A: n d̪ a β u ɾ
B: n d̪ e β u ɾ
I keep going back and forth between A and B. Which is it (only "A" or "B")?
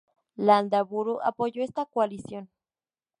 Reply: A